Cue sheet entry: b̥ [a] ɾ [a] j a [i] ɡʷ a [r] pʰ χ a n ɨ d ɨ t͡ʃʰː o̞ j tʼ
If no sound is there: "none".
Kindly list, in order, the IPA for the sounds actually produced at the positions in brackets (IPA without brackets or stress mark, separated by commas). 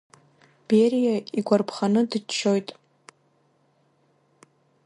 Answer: e, i, i, r